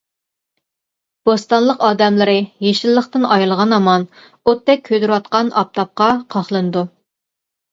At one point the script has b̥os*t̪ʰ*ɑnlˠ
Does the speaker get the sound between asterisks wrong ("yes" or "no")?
yes